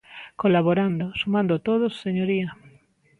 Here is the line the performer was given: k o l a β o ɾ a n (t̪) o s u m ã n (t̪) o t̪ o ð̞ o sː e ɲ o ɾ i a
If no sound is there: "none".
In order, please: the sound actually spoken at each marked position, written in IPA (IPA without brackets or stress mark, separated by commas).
d̪, d̪